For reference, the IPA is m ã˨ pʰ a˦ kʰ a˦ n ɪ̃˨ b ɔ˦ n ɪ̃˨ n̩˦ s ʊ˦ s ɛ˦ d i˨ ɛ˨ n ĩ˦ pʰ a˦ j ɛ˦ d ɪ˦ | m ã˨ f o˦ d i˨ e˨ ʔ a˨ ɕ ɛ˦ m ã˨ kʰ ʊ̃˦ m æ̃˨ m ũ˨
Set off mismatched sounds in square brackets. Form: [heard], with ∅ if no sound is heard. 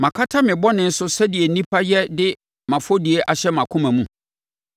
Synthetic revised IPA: m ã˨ [kʰ] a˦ [tʰ] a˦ [m] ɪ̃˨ b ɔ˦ n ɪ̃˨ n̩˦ s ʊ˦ s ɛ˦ d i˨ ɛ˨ n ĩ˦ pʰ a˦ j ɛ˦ d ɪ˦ | m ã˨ f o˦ d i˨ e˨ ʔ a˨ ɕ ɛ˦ m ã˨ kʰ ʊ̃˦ m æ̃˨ m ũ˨

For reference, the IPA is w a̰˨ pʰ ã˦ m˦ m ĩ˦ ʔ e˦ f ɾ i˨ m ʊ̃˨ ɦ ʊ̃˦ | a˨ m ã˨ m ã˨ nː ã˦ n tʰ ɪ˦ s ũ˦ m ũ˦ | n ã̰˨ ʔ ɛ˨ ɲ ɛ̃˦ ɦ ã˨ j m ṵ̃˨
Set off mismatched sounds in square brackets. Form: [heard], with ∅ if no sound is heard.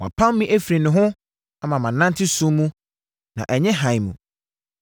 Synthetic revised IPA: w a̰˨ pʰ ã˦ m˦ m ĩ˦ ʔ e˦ f ɾ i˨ [n] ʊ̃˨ ɦ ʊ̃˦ | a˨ m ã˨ m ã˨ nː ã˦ n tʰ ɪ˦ s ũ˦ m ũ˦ | n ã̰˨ ʔ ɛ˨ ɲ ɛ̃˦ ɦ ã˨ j m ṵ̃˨

